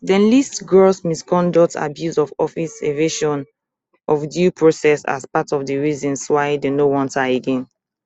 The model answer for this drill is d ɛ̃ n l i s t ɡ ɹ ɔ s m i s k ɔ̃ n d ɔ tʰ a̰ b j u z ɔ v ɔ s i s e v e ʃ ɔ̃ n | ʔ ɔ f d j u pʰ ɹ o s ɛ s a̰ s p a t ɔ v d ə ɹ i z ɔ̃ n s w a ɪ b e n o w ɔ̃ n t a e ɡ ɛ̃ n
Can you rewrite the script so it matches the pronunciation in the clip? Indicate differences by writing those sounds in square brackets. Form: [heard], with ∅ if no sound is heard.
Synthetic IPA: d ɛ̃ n l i s t ɡ ɹ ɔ s m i s k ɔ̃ n d ɔ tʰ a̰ b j u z ɔ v ɔ [f] i s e v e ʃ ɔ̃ n | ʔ ɔ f d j u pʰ ɹ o s ɛ s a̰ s p a t ɔ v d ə ɹ i z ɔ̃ n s w a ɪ [d] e n o w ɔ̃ n t a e ɡ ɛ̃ n

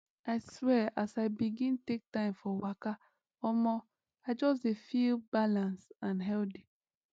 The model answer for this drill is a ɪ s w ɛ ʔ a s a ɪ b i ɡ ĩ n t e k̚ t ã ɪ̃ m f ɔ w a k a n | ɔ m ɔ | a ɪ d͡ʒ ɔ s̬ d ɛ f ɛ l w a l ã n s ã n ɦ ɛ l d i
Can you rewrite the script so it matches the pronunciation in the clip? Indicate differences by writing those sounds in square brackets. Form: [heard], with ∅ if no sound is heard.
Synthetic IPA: a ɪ s w ɛ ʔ a s a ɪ b i ɡ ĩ n t e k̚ t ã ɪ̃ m f ɔ w a k a [∅] | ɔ m ɔ | a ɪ d͡ʒ ɔ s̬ d [e] f [i] l [b] a l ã n s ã n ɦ ɛ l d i

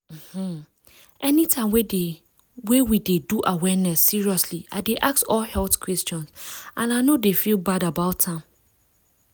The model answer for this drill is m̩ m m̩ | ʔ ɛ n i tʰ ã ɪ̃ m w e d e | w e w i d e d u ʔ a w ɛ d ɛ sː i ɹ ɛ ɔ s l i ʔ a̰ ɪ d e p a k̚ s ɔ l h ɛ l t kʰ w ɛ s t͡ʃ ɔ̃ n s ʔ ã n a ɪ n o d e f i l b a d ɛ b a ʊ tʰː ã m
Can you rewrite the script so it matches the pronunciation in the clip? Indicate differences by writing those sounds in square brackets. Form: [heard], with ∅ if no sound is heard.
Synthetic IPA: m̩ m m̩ | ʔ ɛ n i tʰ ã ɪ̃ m w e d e | w e w i d e d u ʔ a w ɛ [n] ɛ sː i ɹ [i] ɔ s l i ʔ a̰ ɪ d e [ʔ] a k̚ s ɔ l h ɛ l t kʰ w ɛ s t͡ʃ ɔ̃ n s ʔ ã n a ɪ n o d e f i l b a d [a] b a ʊ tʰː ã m

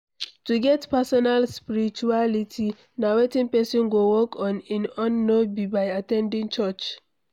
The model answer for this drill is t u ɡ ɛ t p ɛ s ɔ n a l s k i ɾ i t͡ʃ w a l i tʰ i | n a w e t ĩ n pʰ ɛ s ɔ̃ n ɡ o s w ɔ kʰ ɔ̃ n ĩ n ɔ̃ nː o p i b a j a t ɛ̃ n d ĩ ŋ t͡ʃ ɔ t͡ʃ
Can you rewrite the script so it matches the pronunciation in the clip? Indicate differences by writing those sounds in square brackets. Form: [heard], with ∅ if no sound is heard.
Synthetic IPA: t u ɡ ɛ t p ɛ s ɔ n a l s [p] i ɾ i t͡ʃ [u] a l i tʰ i | n a w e t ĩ n [p] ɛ s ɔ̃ n ɡ o [∅] w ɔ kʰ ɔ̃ n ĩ n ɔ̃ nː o [b] i b a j a t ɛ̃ n d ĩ ŋ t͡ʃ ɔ t͡ʃ

